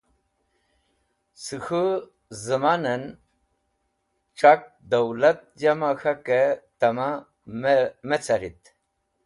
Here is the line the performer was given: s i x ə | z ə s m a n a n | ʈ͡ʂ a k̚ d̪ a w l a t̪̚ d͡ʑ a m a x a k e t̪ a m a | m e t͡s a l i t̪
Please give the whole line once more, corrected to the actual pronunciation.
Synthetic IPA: s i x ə | z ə m a n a n | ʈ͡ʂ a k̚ d̪ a w l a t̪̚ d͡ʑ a m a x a k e t̪ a m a | m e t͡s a ɾ i t̪